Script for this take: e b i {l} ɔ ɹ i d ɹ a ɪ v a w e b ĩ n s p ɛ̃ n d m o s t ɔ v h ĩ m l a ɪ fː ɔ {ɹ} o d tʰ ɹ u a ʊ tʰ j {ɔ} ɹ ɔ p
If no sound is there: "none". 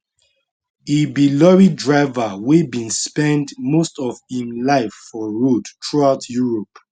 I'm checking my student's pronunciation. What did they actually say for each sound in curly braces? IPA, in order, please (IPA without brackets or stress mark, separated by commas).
l, ɹ, u